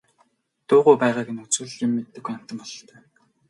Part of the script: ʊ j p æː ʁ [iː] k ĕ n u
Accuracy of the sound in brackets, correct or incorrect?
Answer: incorrect